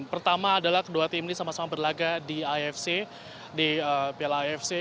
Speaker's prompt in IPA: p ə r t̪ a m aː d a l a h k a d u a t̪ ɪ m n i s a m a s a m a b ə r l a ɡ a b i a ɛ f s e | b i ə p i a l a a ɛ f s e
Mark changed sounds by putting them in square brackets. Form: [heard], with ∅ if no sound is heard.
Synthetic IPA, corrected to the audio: p ə r t̪ a m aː d a l a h k [ə] d u a t̪ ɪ m n i s a m a s a m a b ə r l a ɡ a [d] i a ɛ f s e | [d] i ə p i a l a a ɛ f s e